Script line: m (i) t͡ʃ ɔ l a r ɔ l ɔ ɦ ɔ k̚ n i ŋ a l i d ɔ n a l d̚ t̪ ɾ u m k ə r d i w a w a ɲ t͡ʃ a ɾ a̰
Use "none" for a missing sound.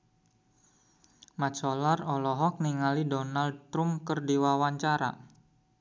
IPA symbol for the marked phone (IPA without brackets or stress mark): a